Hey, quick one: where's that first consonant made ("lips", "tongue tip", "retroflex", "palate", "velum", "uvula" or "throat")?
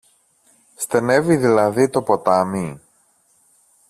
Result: tongue tip